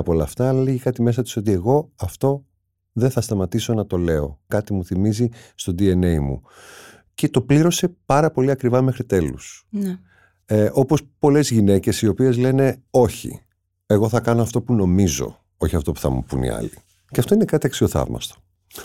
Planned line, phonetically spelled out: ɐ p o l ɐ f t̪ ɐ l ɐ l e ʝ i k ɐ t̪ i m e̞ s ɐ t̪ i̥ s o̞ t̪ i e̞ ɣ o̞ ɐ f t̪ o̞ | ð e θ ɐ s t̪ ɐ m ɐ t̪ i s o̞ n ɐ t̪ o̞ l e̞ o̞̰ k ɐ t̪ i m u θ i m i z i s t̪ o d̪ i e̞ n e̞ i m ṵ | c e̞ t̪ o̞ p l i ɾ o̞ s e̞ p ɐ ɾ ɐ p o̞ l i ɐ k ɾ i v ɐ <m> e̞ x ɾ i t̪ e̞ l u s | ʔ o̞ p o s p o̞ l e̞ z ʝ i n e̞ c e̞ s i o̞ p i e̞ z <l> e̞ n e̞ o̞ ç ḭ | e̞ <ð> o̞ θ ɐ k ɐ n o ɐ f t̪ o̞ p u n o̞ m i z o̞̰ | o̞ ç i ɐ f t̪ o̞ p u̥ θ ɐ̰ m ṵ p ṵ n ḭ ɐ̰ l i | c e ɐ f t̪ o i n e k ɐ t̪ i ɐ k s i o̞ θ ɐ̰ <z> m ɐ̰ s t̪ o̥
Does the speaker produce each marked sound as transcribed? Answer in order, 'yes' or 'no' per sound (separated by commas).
yes, yes, no, no